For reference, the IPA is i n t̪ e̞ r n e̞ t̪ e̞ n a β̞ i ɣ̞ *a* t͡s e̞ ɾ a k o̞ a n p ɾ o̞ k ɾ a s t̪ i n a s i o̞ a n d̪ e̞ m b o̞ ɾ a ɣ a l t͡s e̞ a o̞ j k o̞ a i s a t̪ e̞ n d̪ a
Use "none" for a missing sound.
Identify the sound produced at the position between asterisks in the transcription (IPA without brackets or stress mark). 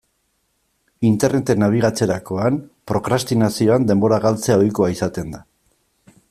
a